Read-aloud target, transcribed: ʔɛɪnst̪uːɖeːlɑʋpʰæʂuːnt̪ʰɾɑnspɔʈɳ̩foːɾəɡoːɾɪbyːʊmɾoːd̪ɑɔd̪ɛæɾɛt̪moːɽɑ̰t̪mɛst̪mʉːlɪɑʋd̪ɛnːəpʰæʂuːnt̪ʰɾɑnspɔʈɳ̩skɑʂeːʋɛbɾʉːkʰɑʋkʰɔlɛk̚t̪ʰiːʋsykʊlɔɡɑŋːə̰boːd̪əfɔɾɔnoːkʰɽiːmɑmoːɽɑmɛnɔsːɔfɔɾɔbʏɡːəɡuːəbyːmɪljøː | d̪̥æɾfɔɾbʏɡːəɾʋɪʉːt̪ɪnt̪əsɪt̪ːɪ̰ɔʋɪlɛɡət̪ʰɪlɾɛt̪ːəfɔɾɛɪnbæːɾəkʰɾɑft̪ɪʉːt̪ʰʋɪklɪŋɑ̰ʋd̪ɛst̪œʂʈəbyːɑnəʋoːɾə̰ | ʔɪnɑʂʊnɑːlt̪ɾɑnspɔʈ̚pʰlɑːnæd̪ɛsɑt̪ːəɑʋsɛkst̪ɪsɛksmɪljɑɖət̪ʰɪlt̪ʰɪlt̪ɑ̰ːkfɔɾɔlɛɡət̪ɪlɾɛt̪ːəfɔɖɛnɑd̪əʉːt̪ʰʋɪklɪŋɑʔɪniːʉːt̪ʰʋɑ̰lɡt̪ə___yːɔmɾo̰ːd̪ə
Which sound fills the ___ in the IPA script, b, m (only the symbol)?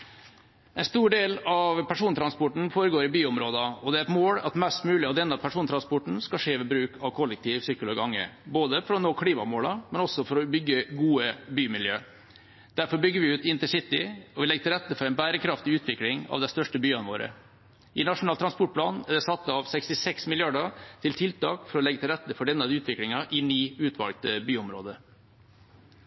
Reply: b